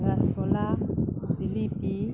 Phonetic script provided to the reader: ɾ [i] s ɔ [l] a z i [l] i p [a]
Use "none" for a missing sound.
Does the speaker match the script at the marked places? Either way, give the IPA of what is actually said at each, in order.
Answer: a, l, l, i

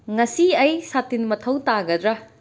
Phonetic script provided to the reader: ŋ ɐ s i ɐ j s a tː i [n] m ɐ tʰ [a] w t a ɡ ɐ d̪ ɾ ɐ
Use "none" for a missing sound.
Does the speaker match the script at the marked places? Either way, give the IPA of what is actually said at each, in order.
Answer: n, ɐ

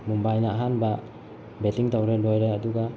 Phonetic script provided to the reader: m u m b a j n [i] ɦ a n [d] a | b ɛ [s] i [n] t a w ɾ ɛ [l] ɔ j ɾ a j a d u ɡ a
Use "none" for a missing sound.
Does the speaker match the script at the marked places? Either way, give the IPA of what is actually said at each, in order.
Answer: a, b, t, ŋ, l

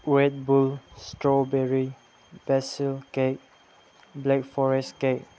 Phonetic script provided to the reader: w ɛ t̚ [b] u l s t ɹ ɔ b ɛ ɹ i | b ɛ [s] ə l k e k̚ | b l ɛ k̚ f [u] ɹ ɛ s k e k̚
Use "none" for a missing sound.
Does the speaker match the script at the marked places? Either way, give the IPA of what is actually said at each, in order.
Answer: b, s, ɔ

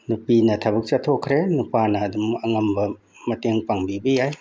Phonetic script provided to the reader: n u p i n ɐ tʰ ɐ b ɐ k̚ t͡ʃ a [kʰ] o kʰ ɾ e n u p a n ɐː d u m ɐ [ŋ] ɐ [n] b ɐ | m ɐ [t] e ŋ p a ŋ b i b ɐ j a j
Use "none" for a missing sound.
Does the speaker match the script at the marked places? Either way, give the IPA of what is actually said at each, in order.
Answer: tʰ, ŋ, m, t

